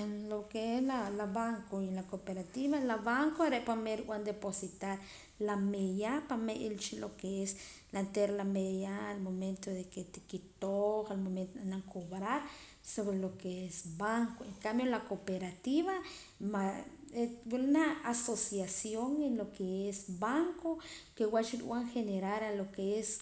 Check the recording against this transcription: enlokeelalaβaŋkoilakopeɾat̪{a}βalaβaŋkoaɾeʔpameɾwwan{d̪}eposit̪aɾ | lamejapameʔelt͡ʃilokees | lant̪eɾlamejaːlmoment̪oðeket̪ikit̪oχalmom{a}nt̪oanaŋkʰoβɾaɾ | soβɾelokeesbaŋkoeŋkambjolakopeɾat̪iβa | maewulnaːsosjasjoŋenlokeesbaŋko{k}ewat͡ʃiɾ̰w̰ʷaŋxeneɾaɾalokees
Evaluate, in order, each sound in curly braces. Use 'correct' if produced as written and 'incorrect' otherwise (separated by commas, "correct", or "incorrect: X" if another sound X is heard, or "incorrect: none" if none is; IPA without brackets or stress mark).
incorrect: i, correct, incorrect: e, correct